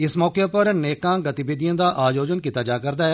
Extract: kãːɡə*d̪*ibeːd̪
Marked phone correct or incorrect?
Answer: incorrect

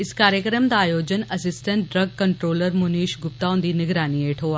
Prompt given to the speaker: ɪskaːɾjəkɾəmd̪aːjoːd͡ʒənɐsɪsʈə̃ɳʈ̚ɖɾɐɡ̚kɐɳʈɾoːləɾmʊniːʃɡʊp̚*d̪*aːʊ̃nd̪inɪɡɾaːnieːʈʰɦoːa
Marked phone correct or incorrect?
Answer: incorrect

